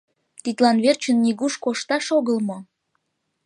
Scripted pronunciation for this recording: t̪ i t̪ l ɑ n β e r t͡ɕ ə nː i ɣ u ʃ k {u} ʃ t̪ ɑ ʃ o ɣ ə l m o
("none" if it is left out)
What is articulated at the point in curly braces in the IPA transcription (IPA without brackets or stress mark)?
o